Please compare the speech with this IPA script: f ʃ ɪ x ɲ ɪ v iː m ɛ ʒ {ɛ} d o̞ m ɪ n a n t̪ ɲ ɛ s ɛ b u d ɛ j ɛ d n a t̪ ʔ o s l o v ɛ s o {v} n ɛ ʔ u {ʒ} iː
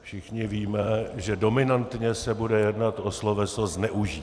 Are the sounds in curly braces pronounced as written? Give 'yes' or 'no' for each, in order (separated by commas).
yes, no, yes